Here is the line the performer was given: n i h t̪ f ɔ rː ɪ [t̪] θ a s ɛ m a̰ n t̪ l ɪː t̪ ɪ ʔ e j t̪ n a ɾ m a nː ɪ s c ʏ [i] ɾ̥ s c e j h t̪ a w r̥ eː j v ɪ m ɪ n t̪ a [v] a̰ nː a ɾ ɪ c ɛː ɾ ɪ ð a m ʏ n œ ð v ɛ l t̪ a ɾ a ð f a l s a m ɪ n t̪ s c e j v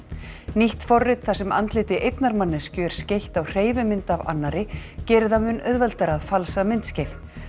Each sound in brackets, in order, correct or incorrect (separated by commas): correct, incorrect, correct